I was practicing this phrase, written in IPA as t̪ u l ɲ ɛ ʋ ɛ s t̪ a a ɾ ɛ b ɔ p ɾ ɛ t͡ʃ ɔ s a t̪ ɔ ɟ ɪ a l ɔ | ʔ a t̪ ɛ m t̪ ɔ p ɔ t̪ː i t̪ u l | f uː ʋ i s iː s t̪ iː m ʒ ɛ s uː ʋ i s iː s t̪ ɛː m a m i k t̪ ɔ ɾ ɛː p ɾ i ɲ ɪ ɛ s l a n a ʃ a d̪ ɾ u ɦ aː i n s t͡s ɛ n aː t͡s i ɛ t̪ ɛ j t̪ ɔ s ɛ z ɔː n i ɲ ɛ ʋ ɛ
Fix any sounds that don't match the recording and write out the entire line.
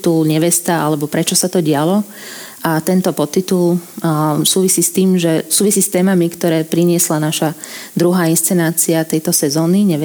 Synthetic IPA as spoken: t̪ u l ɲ ɛ ʋ ɛ s t̪ a a l ɛ b ɔ p ɾ ɛ t͡ʃ ɔ s a t̪ ɔ ɟ ɪ a l ɔ | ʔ a t̪ ɛ n t̪ ɔ p ɔ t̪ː i t̪ u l | s uː ʋ i s iː s t̪ iː m ʒ ɛ s uː ʋ i s iː s t̪ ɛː m a m i k t̪ ɔ ɾ ɛː p ɾ i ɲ ɪ ɛ s l a n a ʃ a d̪ ɾ u ɦ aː i n s t͡s ɛ n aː t͡s i a t̪ ɛ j t̪ ɔ s ɛ z ɔː n i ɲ ɛ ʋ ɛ